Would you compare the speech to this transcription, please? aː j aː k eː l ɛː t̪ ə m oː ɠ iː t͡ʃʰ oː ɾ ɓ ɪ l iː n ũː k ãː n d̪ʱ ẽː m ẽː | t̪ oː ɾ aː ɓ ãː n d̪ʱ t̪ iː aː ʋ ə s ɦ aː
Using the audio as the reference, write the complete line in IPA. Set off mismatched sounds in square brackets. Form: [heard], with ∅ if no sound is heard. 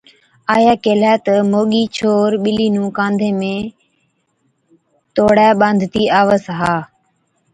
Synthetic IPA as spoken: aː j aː k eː l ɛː t̪ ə m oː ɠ iː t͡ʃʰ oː ɾ ɓ ɪ l iː n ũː k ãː n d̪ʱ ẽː m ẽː | t̪ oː [ɽ] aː ɓ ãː n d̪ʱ t̪ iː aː ʋ ə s ɦ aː